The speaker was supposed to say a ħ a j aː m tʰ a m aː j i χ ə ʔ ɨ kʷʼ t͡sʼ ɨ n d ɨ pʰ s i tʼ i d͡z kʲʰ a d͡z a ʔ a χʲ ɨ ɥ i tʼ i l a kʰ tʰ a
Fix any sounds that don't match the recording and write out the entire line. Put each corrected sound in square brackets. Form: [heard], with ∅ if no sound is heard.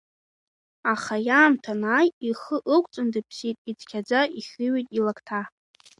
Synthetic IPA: a [χ] a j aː m tʰ a [n] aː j i χ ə ʔ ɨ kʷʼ t͡sʼ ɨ n d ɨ pʰ s i tʼ i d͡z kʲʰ a d͡z a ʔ [i] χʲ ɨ ɥ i tʼ i l a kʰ tʰ a